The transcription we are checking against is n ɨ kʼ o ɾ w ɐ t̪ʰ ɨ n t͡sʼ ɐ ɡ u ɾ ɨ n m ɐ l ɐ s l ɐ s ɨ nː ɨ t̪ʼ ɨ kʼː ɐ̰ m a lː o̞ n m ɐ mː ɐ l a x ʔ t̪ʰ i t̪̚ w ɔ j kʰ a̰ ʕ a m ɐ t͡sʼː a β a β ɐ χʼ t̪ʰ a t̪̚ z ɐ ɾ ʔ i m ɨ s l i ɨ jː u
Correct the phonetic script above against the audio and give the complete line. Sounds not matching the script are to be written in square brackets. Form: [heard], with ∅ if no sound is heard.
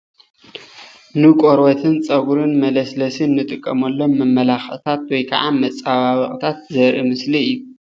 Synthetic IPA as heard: n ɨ kʼ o ɾ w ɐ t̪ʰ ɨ n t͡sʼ ɐ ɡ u ɾ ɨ n m ɐ l ɐ s l ɐ s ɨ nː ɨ t̪ʼ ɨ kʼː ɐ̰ m [ɐ] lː o̞ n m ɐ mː ɐ l a x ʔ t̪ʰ [a] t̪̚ w ɔ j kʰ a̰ ʕ a m ɐ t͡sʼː a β a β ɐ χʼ t̪ʰ a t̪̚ z ɐ ɾ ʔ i m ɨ s l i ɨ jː u